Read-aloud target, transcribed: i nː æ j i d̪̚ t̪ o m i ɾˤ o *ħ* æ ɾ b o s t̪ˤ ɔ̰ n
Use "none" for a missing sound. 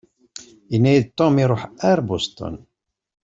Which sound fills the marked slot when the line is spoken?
ħ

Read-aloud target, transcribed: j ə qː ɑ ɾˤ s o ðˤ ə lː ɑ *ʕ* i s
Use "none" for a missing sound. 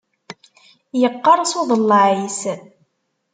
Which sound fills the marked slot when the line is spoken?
ʕ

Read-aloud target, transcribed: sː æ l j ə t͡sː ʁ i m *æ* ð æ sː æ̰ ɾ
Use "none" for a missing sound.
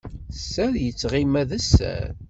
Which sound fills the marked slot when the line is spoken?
æ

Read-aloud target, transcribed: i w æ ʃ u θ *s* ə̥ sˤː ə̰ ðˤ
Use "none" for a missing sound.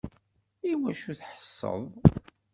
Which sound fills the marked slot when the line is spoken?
ħ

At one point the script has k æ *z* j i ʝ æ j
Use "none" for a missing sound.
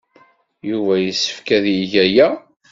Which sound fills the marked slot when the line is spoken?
ð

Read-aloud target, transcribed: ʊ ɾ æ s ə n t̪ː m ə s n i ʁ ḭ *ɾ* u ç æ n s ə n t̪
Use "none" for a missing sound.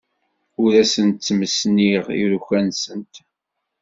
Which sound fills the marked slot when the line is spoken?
ɾ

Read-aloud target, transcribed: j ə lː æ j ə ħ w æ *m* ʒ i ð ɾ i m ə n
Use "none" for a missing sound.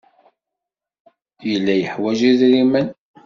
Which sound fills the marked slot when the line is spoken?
none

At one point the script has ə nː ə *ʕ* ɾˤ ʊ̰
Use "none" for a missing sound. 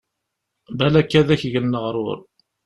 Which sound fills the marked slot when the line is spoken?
ʁ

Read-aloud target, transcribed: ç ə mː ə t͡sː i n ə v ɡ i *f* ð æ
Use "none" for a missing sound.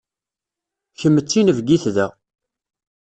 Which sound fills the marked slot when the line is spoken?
θ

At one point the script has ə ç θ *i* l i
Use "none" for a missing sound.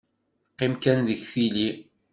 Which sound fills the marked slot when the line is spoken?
i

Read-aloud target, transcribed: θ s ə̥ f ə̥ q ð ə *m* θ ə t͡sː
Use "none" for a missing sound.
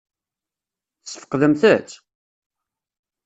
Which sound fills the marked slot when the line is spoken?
m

